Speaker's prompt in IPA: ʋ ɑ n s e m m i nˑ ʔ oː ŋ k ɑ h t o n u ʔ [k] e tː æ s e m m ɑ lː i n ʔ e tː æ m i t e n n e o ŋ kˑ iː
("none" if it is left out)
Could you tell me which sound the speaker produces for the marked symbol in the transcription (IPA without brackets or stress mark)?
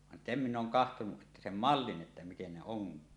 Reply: ʔ